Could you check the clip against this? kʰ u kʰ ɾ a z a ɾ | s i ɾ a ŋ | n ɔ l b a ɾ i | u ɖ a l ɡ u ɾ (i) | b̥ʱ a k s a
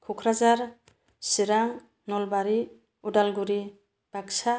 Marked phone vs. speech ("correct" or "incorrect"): correct